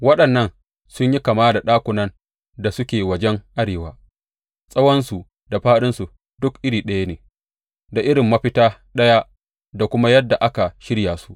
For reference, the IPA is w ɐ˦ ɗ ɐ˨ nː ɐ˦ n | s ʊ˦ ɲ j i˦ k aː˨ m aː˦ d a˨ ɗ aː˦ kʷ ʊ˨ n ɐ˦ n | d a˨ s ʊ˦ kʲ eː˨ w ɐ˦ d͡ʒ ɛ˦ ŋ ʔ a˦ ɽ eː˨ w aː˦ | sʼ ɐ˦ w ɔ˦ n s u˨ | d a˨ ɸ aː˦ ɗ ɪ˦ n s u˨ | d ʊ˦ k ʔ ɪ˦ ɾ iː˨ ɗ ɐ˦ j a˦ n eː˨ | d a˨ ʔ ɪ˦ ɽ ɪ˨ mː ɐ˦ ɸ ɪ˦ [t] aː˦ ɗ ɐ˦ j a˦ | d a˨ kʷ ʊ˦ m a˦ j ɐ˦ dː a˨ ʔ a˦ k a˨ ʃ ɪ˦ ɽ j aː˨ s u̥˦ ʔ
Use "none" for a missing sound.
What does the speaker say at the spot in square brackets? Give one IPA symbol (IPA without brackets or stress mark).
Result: t